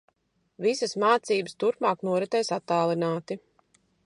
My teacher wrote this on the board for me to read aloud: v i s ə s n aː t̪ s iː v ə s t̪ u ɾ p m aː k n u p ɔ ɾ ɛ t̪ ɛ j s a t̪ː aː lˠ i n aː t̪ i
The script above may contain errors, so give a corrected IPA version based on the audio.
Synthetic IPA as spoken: v i s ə s m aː t̪ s iː b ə s t̪ u ɾ p m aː k n u ɔ ɾ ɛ t̪ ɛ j s a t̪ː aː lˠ i n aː t̪ i